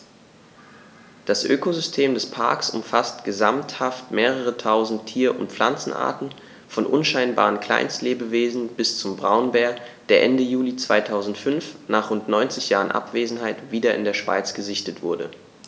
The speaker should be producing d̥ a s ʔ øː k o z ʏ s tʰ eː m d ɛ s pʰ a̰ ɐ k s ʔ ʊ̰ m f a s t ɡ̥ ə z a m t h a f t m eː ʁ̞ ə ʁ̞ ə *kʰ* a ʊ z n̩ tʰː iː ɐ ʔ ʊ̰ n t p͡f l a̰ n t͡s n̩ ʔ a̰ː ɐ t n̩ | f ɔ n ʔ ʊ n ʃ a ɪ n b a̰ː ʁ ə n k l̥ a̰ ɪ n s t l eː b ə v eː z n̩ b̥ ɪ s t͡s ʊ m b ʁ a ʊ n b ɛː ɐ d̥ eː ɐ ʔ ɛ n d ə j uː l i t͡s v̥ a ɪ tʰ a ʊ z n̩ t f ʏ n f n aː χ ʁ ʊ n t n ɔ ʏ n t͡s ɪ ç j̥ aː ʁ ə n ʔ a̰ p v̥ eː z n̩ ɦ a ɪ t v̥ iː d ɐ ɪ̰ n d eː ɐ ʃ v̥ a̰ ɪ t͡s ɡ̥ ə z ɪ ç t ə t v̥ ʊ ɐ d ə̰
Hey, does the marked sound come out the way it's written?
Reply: no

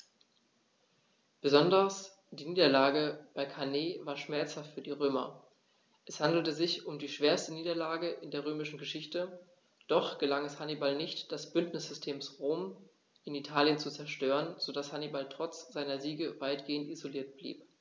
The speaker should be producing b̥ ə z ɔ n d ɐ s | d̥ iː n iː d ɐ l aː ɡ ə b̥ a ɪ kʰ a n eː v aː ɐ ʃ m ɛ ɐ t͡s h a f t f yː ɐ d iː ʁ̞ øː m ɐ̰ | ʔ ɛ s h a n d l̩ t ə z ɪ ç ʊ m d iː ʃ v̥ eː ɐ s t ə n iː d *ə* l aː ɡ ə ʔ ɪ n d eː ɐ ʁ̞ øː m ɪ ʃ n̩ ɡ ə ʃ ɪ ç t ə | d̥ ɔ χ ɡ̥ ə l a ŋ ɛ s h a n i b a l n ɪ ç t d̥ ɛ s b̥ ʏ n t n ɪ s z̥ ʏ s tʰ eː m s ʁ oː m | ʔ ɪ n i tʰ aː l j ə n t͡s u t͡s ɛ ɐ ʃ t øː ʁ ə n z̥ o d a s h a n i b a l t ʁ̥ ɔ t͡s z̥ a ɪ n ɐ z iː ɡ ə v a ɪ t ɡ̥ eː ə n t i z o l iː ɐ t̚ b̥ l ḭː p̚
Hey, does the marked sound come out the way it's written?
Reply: no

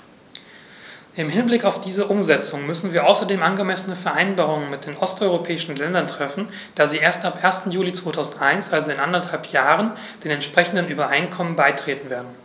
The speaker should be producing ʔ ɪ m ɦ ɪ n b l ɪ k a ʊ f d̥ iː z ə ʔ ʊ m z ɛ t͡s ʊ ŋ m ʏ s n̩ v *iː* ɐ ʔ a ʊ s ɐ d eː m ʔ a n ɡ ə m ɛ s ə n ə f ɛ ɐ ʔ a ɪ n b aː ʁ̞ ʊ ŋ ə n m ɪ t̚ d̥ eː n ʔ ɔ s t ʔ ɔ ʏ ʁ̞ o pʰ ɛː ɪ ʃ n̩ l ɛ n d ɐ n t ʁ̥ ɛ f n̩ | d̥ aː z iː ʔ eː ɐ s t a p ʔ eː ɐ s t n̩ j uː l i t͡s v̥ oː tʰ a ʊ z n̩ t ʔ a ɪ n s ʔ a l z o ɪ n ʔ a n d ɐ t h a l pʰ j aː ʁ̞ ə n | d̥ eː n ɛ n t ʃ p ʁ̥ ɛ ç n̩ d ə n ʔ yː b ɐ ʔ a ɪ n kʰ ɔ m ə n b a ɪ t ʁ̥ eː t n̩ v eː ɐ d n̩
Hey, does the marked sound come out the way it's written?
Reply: yes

